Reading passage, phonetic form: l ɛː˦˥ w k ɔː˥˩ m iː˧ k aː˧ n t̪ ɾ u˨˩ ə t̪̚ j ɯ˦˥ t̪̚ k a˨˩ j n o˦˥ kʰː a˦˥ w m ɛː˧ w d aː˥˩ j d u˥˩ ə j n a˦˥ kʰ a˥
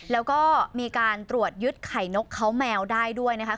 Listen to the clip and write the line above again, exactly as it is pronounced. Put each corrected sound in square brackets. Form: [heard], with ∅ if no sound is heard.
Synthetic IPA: l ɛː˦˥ w k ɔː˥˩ m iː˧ k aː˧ n t̪ ɾ u˨˩ ə t̪̚ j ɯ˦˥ t̪̚ [kʰ] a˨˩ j n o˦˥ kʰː a˦˥ w m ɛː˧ w d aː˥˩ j d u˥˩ ə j n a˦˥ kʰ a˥